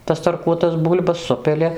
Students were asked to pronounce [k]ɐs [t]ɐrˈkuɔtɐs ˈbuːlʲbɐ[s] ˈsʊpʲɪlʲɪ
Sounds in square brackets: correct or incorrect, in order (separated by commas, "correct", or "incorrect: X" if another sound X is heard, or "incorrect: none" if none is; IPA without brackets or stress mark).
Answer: incorrect: t, correct, correct